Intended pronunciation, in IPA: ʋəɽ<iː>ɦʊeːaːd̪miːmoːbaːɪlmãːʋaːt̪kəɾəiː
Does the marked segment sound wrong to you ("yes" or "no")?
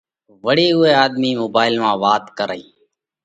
no